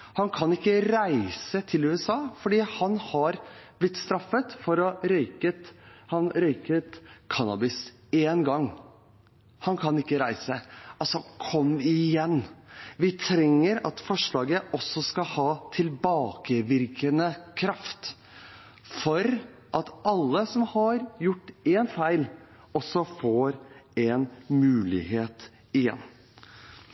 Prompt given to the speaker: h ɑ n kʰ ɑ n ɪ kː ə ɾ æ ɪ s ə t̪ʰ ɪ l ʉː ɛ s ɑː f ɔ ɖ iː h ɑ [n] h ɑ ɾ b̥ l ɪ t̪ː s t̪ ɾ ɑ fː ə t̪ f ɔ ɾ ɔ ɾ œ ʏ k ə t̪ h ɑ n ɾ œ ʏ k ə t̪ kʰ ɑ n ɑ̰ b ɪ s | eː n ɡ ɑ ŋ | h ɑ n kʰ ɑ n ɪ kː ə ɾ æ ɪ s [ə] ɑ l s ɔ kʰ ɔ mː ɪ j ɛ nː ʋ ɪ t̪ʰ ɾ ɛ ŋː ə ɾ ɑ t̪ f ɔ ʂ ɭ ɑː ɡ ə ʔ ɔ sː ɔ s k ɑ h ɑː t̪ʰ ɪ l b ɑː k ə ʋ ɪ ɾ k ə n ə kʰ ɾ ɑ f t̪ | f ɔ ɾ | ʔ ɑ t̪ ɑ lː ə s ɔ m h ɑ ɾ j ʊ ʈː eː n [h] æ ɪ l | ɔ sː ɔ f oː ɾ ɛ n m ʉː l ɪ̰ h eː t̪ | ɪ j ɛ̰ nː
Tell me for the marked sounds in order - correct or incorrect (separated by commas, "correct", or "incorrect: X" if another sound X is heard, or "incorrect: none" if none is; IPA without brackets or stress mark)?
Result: correct, correct, incorrect: f